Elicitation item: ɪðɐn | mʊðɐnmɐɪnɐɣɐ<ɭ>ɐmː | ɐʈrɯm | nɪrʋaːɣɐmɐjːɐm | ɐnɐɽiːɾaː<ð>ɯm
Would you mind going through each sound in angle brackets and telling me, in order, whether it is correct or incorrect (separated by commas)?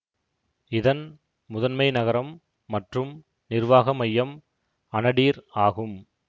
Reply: incorrect, incorrect